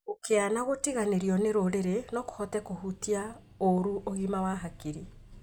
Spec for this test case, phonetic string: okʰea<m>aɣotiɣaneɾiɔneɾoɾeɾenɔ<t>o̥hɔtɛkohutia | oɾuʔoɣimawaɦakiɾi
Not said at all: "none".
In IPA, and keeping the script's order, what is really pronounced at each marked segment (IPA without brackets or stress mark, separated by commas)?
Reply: n, k